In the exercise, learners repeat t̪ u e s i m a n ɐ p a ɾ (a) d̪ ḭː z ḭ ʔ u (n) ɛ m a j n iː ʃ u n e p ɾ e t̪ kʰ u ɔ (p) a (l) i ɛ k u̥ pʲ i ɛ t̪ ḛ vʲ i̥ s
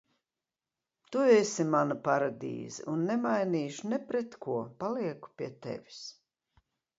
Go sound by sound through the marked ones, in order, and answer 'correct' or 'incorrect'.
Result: correct, incorrect, correct, correct

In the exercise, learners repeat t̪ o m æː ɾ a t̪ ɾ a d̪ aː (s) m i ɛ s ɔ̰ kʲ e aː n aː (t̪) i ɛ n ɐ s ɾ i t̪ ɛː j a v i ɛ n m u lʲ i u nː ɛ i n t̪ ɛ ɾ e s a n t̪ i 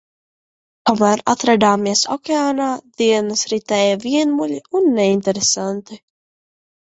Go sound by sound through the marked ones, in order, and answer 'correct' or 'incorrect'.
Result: incorrect, incorrect

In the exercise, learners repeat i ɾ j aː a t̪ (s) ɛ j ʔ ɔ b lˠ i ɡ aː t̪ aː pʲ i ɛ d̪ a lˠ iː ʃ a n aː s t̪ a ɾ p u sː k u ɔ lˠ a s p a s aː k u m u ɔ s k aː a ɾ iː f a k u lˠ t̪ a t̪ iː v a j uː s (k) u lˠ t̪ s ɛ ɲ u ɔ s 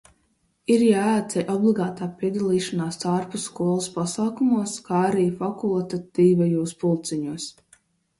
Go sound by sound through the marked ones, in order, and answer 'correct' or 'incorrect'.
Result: correct, incorrect

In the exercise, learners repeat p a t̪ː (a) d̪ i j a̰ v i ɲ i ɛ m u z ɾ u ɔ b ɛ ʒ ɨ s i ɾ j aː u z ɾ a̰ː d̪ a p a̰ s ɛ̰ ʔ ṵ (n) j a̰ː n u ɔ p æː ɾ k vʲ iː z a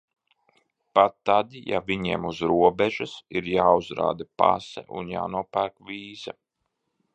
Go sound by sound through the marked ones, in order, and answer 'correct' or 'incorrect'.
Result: correct, correct

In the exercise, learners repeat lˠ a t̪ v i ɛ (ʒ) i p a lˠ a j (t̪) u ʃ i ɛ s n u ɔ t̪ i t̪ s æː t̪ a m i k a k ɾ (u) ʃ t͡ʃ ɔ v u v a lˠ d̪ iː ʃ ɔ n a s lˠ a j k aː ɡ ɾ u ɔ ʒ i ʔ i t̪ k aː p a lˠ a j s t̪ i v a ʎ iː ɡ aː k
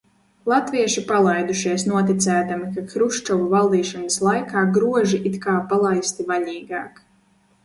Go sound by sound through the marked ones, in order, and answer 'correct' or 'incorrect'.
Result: incorrect, incorrect, correct

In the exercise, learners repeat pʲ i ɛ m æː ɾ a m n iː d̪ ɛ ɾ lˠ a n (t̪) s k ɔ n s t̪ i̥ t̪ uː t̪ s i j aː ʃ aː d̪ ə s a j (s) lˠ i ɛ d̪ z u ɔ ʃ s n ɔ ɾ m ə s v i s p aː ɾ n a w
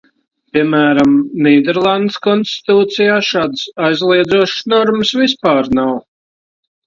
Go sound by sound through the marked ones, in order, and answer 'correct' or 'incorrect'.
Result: incorrect, incorrect

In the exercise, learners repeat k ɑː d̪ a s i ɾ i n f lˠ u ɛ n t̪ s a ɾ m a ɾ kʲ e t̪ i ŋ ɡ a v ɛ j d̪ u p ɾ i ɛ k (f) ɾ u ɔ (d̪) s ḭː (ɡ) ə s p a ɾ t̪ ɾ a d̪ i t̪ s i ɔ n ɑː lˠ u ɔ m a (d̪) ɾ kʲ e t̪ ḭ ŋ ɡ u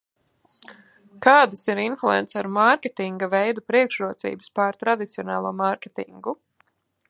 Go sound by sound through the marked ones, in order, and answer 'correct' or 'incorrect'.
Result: incorrect, incorrect, incorrect, incorrect

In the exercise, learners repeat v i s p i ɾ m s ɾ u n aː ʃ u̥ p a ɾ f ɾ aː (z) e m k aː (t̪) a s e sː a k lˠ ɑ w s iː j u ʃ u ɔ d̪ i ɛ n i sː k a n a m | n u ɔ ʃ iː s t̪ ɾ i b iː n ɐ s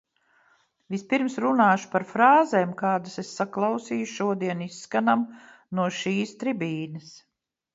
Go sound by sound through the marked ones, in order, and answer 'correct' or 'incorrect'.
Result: correct, incorrect

